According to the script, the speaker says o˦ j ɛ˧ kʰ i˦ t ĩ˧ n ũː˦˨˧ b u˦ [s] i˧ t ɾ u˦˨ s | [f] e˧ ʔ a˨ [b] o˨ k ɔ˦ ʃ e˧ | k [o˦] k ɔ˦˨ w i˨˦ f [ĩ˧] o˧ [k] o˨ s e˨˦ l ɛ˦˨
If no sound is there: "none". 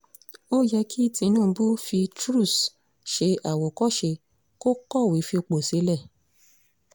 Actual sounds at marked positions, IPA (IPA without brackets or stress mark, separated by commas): f, ʃ, w, o˦, i˧, k͡p